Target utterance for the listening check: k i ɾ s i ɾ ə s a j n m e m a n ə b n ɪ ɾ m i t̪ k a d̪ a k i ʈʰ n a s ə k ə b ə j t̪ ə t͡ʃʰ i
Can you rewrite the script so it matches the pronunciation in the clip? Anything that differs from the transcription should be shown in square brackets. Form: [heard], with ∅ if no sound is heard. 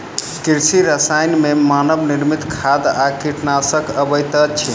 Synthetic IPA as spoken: k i ɾ s i ɾ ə s a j n m e m a n ə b n [i] ɾ m i t̪ [kʰ] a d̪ a k i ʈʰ n a s ə k ə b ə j t̪ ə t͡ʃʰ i